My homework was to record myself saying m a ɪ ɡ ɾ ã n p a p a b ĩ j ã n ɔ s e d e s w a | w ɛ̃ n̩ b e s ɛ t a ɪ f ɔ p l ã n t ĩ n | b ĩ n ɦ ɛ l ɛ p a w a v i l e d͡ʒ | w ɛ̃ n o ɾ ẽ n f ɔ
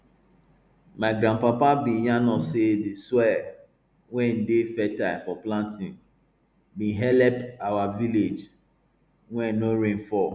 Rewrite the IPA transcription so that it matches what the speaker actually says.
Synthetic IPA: m a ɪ ɡ ɾ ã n p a p a b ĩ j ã n ɔ s e d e s w ɛ | w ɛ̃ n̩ d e f ɛ t a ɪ f ɔ p l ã n t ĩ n | b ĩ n ɦ ɛ l ɛ p a w a v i l e d͡ʒ | w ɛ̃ n o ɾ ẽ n f ɔ